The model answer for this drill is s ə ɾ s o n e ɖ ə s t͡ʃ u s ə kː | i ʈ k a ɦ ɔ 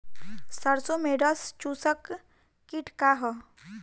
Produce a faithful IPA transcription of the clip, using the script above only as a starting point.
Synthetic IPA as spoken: s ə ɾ s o m e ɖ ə s t͡ʃ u s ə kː | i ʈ k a ɦ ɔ